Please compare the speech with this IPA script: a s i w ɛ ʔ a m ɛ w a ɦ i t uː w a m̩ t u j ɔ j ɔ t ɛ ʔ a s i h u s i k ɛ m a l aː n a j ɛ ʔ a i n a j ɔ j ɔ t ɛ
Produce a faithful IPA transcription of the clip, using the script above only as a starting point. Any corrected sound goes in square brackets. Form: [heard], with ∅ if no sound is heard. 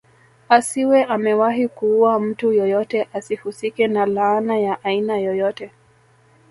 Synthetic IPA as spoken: a s i w ɛ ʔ a m ɛ w a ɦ i [k] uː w a m̩ t u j ɔ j ɔ t ɛ ʔ a s i h u s i k ɛ [n] a l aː n a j [a] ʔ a i n a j ɔ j ɔ t ɛ